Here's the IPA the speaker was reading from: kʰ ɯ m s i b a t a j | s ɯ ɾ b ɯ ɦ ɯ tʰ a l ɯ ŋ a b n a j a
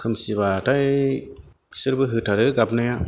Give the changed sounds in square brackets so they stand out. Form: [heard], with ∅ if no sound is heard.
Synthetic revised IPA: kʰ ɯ m s i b a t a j | s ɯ ɾ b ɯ ɦ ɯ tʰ a [ɾ] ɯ [ɡ] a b n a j a